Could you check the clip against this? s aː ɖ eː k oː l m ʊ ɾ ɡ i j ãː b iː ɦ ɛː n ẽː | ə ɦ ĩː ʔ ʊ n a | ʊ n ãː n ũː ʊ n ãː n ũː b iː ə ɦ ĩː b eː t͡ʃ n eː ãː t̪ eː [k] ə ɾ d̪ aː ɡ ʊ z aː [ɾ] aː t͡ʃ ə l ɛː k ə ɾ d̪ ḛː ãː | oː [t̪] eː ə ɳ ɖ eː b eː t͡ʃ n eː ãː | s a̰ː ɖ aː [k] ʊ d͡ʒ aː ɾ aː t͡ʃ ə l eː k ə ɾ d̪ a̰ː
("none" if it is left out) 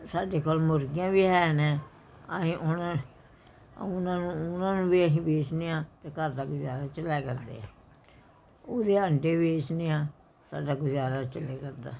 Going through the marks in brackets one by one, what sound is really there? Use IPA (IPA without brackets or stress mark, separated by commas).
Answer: k, ɾ, d̪, ɡ